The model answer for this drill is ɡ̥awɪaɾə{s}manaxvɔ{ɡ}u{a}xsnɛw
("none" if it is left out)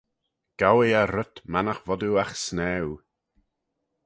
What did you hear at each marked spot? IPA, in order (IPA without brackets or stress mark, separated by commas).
t, d, a